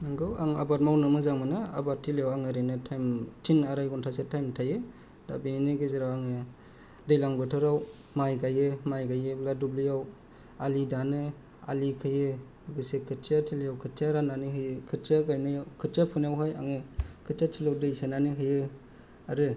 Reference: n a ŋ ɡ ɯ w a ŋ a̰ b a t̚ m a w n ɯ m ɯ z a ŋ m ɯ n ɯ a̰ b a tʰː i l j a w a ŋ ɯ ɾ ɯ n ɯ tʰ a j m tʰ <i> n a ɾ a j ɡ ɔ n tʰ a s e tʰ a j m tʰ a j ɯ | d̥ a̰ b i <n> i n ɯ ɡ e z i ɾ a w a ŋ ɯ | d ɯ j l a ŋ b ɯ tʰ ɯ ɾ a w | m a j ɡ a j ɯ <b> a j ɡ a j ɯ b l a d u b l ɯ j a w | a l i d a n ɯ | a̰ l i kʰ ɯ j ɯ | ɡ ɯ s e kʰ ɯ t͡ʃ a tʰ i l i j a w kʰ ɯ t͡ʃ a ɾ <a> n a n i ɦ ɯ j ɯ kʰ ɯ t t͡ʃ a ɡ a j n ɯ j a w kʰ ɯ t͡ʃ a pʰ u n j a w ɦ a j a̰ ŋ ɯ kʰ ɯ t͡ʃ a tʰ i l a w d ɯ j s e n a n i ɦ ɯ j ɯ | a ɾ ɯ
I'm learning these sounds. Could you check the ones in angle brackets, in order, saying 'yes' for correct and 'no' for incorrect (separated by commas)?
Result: yes, yes, no, yes